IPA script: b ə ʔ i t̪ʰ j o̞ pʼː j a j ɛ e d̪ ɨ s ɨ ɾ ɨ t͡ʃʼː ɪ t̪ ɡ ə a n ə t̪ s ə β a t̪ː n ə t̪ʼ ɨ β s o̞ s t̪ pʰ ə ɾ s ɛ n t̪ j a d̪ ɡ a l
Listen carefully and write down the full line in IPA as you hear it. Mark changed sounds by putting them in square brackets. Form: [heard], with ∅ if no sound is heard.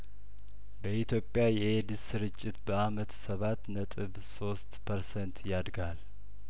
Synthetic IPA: b ə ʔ i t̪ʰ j o̞ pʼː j a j ɛ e d̪ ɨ s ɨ ɾ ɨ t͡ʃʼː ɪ t̪ [b] ə a [m] ə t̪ s ə β a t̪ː n ə t̪ʼ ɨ β s o̞ s t̪ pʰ ə ɾ s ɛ n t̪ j a d̪ ɡ a l

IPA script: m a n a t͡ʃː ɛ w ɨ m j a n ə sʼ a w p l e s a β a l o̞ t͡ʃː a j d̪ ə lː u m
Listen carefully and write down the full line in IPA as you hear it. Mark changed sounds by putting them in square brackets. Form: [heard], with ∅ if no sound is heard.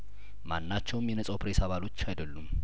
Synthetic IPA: m a [nː] a t͡ʃː ɛ w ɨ m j [ɛ] n ə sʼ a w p [ɾ] e s a β a l o̞ t͡ʃː a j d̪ ə lː u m

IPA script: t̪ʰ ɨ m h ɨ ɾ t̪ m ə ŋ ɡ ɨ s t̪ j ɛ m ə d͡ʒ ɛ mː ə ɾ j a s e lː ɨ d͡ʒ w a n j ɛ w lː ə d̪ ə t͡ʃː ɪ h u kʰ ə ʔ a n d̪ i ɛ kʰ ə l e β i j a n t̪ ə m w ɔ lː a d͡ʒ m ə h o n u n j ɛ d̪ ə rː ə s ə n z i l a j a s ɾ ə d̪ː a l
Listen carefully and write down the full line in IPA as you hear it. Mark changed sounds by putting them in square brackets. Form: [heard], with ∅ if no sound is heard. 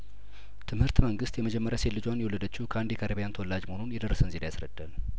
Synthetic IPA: t̪ʰ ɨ m h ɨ ɾ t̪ m ə ŋ ɡ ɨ s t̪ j ɛ m ə d͡ʒ ɛ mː ə ɾ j a s e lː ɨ d͡ʒ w a n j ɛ w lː ə d̪ ə t͡ʃː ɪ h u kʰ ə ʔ a n d̪ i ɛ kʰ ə [ɾ] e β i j a n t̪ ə [∅] w ɔ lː a d͡ʒ m ə h o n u n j ɛ d̪ ə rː ə s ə n z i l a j a s ɾ ə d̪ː a l

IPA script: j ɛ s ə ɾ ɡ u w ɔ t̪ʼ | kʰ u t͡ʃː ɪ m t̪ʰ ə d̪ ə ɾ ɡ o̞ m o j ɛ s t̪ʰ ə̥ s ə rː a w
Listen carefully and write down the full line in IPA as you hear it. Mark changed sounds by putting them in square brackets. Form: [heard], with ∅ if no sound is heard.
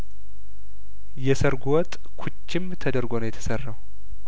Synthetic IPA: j ɛ s ə ɾ ɡ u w ɔ t̪ʼ | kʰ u t͡ʃː ɪ m t̪ʰ ə d̪ ə ɾ ɡ o̞ [n] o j ɛ [∅] t̪ʰ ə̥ s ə rː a w

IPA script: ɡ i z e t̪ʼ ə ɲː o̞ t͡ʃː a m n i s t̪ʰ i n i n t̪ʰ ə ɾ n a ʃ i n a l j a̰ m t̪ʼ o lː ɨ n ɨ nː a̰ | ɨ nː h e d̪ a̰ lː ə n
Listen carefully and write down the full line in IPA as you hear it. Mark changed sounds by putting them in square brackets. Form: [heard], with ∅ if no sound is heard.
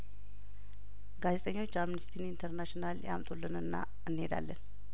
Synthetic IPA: ɡ [a] z e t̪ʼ ə ɲː o̞ t͡ʃː a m n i s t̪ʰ i n i n t̪ʰ ə ɾ n a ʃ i n a l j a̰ m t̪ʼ o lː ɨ n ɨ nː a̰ | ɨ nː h e d̪ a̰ lː ə n

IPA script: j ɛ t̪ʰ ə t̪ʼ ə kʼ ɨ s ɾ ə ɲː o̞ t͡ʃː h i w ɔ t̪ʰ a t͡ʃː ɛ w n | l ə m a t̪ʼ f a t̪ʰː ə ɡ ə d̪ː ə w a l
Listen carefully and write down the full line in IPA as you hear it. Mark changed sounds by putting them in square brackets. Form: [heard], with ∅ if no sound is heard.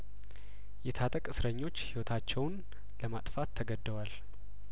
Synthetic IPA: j ɛ t̪ʰ [a] t̪ʼ ə kʼ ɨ s ɾ ə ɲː o̞ t͡ʃː h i w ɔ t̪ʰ a t͡ʃː ɛ w n | l ə m a t̪ʼ f a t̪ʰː ə ɡ ə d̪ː ə w a l

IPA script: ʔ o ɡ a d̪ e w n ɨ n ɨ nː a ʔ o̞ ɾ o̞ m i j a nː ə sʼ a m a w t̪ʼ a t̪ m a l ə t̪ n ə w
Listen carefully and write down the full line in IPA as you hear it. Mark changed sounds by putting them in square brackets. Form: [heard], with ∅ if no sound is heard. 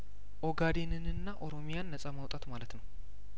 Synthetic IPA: ʔ o ɡ a d̪ e [∅] n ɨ n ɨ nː a ʔ o̞ ɾ o̞ m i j a nː ə sʼ a m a w t̪ʼ a t̪ m a l ə t̪ n ə w

